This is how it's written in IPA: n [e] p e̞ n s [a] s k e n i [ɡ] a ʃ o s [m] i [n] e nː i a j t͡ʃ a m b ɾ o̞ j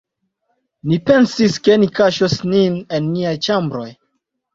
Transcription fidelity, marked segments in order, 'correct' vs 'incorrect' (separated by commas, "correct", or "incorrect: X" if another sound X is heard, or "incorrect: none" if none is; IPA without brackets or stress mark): incorrect: i, incorrect: i, incorrect: k, incorrect: n, correct